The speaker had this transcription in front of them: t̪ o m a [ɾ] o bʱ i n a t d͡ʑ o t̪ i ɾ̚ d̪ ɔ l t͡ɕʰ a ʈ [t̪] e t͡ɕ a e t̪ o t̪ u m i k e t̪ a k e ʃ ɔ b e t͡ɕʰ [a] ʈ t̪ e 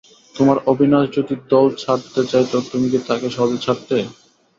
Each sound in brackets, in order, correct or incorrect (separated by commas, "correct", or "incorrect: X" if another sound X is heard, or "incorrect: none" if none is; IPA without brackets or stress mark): correct, correct, correct